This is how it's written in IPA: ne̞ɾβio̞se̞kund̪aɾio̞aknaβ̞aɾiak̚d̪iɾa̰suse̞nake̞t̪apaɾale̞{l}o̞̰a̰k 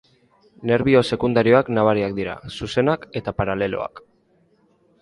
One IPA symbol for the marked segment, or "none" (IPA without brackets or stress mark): l